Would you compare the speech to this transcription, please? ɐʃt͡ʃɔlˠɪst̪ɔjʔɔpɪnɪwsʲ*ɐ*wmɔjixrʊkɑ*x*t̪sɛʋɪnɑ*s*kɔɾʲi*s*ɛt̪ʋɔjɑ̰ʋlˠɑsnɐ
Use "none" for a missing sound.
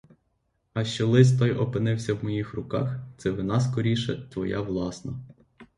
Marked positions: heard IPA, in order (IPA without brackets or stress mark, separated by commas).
ɐ, x, s, ʃ